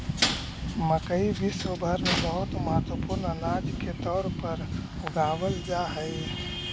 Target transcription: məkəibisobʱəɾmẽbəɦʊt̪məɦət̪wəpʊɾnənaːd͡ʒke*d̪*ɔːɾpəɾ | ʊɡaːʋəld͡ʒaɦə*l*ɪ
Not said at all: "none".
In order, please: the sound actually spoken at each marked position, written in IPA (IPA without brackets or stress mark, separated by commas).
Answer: t̪, none